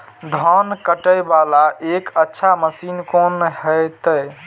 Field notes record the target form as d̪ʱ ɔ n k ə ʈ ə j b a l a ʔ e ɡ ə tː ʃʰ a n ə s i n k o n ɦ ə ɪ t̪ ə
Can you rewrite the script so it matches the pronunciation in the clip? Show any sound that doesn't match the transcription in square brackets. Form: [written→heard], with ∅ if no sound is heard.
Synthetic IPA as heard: d̪ʱ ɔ n k ə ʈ ə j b a l a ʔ e [ɡ→k] ə tː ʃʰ a [n→m] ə s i n k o n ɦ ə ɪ t̪ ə